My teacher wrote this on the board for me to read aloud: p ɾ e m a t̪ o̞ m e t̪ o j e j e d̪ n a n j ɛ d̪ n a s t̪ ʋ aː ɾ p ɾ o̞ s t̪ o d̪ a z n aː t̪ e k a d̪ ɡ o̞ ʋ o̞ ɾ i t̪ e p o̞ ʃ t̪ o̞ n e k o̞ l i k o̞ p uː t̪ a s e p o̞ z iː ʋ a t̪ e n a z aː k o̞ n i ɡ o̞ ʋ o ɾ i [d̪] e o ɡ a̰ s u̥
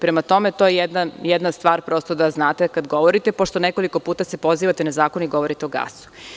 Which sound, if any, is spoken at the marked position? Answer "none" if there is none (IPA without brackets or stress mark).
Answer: t̪